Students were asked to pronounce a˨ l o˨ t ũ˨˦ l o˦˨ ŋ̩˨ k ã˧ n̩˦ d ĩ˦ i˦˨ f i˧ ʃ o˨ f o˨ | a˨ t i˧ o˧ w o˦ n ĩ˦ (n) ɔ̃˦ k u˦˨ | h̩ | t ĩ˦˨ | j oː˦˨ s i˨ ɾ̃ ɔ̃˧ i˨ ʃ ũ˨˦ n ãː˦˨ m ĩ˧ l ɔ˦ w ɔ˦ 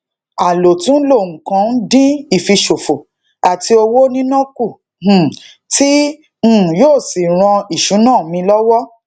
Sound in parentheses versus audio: correct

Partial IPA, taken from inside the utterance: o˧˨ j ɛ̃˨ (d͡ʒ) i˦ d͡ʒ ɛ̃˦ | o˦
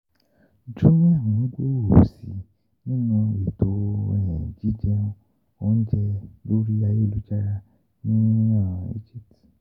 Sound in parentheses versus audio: correct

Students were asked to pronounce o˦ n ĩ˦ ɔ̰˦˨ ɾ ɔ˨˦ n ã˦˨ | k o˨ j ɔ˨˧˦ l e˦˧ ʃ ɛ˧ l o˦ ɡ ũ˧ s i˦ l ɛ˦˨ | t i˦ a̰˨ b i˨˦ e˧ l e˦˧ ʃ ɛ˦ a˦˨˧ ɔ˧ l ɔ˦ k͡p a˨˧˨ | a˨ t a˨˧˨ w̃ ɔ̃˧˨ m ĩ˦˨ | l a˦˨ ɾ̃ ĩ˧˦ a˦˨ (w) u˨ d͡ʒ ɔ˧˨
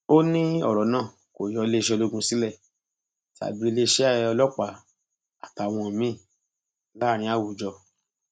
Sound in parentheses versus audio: correct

